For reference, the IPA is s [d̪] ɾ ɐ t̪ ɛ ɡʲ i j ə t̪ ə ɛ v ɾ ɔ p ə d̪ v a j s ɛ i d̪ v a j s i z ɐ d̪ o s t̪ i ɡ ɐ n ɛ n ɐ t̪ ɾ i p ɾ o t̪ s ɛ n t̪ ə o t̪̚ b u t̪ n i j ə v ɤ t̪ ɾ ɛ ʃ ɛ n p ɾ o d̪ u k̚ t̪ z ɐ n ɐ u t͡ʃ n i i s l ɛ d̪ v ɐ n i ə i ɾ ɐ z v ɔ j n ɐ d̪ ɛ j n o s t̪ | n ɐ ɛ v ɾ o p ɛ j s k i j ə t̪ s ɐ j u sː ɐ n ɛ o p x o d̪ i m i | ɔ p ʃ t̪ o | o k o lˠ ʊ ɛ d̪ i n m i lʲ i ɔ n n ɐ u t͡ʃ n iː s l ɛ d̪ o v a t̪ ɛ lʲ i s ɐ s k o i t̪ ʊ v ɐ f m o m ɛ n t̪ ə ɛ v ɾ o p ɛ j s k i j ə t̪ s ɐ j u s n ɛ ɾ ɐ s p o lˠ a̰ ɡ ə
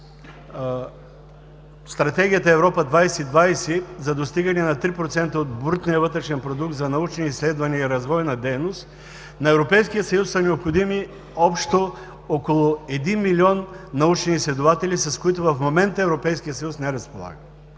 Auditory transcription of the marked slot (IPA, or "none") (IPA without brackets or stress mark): t̪